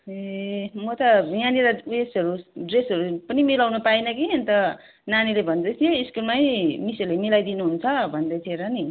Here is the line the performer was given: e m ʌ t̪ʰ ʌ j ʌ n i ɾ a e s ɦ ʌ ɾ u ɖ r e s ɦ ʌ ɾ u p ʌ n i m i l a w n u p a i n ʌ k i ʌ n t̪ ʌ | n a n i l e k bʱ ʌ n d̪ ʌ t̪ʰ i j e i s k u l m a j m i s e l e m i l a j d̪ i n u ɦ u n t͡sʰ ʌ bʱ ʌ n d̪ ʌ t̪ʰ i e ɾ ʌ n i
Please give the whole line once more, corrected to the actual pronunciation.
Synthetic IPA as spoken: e m ʌ t̪ ʌ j a n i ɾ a e s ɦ ʌ ɾ u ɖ r e s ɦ ʌ ɾ u p ʌ n i m i l a w n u p a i n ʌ k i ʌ n t̪ ʌ | n a n i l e bʱ ʌ n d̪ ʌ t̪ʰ i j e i s k u l m a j m i s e l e m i l a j d̪ i n u ɦ u n t͡sʰ ʌ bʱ ʌ n d̪ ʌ t̪ʰ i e ɾ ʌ n i